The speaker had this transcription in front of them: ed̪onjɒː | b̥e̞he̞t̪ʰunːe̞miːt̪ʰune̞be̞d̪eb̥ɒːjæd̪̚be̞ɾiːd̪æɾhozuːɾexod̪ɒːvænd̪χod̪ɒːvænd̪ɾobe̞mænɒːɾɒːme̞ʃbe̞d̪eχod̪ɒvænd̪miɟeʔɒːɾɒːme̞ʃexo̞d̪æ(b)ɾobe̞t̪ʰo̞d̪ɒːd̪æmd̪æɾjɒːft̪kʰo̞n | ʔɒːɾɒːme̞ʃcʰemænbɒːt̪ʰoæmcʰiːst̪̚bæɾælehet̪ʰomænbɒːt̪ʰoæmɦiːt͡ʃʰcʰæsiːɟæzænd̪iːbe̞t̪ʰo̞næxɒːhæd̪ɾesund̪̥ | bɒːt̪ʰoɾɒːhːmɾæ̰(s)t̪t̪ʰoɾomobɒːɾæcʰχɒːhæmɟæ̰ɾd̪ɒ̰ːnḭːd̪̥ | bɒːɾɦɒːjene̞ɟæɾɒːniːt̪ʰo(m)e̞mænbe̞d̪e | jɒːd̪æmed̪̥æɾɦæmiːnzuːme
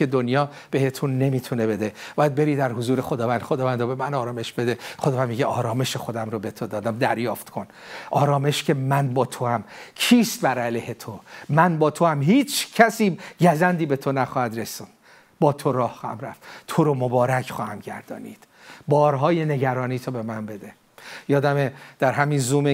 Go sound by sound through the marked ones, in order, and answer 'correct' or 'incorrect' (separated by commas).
incorrect, incorrect, incorrect